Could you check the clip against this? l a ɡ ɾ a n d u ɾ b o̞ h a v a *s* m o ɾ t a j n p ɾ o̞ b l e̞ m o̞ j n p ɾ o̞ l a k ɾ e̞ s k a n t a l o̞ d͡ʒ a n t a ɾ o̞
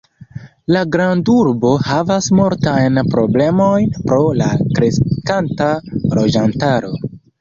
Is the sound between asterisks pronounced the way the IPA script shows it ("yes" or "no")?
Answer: yes